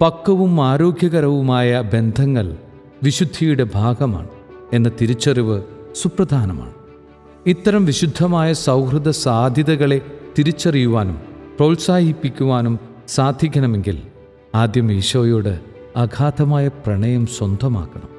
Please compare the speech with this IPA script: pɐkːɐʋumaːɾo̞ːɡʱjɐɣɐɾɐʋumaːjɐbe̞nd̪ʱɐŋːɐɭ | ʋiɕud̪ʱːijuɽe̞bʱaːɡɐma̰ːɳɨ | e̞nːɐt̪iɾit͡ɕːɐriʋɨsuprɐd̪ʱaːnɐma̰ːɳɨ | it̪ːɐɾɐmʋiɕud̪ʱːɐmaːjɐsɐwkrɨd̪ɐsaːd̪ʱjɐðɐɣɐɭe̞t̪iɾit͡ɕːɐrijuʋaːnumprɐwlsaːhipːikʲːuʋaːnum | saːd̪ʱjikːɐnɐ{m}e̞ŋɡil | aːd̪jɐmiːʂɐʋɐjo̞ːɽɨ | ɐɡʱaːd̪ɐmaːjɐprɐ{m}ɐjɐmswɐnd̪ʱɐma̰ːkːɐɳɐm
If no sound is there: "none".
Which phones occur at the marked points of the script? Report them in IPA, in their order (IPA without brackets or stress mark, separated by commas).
m, ɳ